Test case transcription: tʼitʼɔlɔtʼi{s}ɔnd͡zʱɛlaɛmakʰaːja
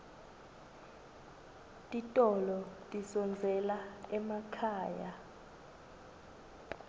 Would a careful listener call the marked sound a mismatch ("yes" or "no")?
no